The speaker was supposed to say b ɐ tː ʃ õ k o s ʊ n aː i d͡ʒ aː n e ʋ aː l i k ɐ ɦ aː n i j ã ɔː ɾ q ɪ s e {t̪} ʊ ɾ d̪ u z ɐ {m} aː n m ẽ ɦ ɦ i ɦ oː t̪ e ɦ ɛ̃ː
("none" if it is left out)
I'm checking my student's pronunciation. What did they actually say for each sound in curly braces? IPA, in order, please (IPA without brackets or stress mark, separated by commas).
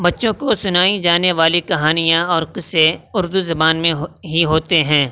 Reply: none, b